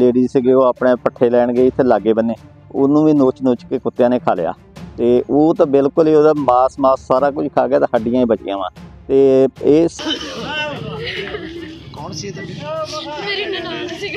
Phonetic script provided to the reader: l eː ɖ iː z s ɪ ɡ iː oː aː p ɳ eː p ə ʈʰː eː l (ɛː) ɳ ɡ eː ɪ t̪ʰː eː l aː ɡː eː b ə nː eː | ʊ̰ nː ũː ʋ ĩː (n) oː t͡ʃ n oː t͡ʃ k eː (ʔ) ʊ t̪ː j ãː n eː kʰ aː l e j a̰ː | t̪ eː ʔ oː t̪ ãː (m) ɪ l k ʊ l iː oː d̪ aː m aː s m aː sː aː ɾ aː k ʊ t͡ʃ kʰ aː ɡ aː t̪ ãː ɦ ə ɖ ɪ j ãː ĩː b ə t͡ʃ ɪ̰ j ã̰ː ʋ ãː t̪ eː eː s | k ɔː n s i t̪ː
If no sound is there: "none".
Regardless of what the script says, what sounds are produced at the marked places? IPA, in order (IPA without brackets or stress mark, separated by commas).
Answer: ɛː, n, k, b